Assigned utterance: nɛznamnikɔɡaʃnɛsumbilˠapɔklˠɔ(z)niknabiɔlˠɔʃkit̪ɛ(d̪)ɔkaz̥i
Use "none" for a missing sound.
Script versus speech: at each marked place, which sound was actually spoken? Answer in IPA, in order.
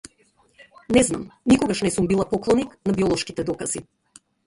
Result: none, d̪

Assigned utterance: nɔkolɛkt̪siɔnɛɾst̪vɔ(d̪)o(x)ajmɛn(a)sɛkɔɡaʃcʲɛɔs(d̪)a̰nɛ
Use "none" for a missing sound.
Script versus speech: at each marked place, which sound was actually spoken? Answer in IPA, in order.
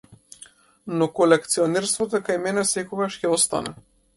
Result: t̪, k, ɛ, t̪

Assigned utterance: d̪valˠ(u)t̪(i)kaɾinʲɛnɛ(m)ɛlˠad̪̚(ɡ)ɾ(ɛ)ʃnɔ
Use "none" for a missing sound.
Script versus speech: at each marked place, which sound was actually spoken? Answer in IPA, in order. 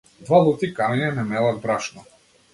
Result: u, i, m, b, a

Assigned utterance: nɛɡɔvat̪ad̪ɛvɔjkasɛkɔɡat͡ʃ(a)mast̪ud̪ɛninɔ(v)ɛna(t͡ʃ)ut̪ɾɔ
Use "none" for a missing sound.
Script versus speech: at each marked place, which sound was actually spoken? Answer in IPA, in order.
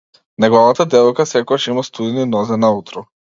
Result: i, z, none

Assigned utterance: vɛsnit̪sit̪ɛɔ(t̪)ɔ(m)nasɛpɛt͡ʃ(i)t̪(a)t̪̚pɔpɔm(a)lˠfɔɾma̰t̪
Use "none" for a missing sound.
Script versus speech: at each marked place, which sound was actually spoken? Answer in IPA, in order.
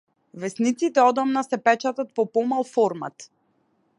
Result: d̪, m, a, a, a

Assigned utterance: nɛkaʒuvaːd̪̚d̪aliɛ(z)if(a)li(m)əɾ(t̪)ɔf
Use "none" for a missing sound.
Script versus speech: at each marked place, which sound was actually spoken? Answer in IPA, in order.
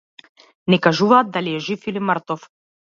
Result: ʒ, i, m, t̪

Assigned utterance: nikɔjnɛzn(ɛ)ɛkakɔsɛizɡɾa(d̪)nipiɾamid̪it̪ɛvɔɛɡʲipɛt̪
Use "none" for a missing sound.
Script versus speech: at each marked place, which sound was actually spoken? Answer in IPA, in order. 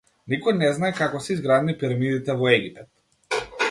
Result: a, d̪

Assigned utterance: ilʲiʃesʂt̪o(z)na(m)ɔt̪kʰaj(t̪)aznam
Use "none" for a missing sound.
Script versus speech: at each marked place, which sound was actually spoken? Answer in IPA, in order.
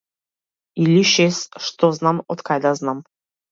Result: z, m, d̪

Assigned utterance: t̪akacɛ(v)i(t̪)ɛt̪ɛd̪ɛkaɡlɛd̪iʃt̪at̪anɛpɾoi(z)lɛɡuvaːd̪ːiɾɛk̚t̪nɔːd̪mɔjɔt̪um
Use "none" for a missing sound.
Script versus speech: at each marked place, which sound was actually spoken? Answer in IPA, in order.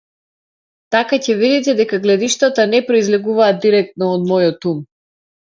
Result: v, d̪, z

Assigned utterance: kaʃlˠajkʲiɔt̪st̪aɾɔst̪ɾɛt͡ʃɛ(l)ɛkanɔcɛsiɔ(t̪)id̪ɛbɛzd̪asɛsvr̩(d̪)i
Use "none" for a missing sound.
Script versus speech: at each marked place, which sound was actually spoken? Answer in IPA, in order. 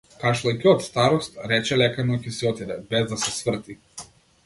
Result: l, t̪, t̪

